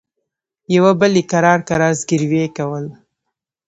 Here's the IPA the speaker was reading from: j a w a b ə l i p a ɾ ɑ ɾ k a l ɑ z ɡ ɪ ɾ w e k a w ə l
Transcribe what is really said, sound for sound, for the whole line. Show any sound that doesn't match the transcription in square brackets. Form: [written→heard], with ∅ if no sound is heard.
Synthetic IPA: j a w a b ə l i [p→k] a ɾ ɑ ɾ k a [l→ɾ] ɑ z ɡ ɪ ɾ w e k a w ə l